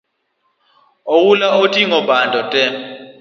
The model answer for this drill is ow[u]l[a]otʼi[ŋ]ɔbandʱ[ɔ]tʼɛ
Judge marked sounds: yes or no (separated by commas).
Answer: yes, yes, yes, yes